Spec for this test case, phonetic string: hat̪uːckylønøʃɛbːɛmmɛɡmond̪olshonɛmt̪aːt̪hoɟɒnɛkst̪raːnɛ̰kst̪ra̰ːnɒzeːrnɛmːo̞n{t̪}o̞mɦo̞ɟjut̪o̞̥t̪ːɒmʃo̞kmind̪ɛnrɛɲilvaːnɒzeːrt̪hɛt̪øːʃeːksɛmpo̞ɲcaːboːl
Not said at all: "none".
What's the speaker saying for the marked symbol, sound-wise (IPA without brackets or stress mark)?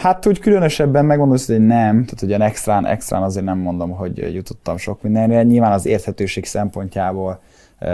d̪